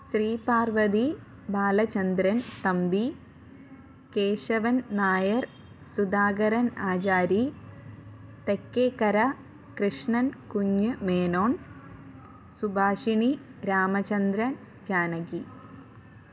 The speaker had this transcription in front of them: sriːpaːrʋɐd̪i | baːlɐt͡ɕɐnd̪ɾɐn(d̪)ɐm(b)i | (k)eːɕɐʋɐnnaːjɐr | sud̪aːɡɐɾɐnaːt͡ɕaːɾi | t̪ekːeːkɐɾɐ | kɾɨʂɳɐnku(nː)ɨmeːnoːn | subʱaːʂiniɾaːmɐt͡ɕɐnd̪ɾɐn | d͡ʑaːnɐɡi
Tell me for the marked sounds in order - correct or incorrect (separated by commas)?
incorrect, correct, correct, incorrect